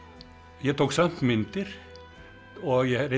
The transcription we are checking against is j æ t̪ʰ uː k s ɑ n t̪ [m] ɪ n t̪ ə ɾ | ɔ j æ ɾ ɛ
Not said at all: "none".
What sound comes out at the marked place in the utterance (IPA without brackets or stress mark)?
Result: m